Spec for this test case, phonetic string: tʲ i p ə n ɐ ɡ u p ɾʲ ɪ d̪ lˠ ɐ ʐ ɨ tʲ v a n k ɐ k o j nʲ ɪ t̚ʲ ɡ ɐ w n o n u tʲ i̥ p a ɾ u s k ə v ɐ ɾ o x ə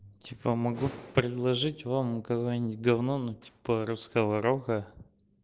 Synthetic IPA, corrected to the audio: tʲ i p ə m ɐ ɡ u p ɾʲ ɪ d̪ lˠ ɐ ʐ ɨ tʲ v a m k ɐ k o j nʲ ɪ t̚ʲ ɡ ɐ v n o n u tʲ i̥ p ə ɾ u s k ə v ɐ ɾ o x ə